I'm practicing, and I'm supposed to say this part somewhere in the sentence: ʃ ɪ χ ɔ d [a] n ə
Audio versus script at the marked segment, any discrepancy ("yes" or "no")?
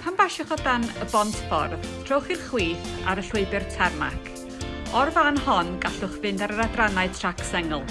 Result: no